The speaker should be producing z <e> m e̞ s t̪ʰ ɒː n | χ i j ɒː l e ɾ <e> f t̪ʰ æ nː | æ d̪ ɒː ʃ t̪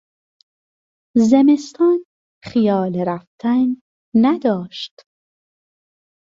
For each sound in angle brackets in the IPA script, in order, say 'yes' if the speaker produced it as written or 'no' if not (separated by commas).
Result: yes, no